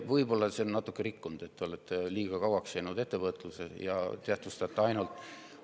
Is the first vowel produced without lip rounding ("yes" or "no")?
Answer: yes